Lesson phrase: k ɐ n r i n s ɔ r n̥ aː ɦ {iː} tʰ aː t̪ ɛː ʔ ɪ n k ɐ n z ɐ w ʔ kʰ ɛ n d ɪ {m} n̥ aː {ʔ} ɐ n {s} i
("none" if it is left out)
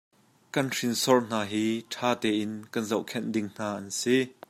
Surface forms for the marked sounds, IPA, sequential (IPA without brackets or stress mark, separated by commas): iː, ŋ, ʔ, s